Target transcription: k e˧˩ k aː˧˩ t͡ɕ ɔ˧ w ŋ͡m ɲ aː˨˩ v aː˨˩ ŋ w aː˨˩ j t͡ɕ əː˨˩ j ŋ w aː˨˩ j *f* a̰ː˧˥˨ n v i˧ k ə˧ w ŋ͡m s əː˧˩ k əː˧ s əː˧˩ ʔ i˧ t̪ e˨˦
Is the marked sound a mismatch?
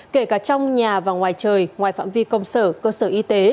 no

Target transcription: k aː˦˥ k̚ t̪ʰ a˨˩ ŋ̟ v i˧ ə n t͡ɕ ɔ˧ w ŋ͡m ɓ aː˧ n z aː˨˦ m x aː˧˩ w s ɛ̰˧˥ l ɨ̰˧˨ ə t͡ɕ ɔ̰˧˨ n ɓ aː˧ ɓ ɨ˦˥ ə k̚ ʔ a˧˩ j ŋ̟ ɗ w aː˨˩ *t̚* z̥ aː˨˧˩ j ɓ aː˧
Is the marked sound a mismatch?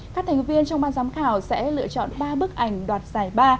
no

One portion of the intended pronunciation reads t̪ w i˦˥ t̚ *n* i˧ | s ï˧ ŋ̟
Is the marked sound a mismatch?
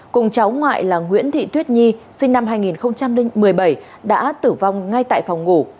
yes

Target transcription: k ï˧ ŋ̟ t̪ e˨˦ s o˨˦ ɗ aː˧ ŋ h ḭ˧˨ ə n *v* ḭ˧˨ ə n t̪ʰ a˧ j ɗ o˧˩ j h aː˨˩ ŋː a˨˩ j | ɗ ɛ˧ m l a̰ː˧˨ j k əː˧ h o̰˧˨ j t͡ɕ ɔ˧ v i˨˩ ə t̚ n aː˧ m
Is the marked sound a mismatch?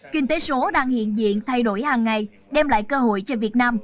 yes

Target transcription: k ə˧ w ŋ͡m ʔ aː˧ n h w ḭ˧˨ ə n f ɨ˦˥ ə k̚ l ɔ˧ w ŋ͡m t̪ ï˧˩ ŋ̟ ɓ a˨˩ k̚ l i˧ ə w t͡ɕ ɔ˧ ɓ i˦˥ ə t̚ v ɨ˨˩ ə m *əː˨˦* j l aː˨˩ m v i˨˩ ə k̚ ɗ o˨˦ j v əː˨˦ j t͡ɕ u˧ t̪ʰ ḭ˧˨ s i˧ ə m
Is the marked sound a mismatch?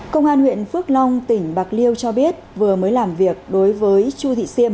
no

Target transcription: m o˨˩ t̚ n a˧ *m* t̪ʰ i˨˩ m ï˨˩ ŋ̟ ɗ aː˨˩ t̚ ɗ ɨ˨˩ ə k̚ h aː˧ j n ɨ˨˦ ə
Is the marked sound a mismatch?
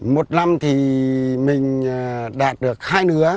no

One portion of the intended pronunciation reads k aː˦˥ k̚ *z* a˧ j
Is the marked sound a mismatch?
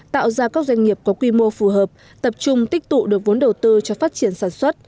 no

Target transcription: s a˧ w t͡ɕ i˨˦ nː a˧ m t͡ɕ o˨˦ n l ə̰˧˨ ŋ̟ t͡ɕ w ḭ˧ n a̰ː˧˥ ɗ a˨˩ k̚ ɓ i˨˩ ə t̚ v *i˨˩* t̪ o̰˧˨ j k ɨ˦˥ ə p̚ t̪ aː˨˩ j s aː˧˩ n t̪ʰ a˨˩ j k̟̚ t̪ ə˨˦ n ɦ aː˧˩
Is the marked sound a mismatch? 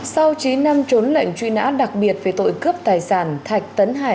yes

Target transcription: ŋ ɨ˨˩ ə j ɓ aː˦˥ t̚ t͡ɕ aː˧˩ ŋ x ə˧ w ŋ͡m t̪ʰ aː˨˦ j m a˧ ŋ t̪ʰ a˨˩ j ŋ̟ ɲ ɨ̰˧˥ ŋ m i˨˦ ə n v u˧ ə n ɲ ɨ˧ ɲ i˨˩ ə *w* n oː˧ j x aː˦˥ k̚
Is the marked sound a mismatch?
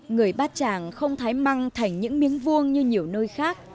no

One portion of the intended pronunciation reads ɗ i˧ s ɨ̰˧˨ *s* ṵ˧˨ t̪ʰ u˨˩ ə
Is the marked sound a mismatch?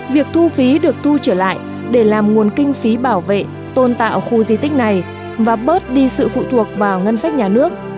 yes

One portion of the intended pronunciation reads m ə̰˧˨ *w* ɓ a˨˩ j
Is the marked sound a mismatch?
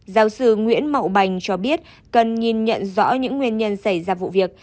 no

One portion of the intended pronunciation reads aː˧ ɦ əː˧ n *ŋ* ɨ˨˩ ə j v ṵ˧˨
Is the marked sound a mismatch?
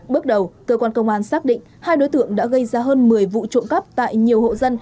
yes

